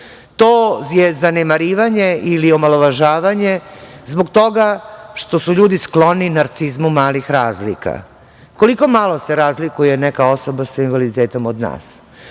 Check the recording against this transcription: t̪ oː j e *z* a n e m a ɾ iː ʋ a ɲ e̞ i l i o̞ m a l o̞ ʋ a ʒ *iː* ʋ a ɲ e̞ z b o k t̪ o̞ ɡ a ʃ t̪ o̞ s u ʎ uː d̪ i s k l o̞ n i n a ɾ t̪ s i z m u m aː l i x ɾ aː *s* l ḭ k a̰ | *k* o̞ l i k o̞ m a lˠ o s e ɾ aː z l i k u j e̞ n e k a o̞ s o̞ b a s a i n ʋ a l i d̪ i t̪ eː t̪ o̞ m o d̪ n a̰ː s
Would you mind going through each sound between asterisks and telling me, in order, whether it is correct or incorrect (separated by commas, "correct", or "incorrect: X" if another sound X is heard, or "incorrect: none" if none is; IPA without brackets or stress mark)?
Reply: correct, incorrect: aː, incorrect: z, correct